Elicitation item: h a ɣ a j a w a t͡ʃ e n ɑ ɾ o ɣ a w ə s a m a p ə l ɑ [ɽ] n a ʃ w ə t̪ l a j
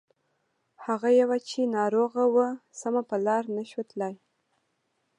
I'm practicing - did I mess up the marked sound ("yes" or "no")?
yes